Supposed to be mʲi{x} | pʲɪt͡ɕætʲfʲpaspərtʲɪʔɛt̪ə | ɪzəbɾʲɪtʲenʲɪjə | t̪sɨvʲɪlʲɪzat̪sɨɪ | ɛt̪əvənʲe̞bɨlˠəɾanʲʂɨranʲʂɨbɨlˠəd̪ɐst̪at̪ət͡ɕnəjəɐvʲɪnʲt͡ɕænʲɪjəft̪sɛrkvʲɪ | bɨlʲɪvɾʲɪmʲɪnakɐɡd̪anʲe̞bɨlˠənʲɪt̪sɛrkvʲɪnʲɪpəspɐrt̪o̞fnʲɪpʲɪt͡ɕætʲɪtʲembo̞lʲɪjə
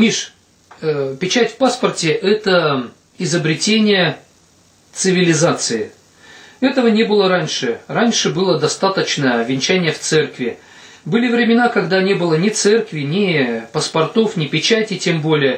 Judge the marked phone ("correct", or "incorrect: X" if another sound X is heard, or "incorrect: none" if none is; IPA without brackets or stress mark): incorrect: ʂ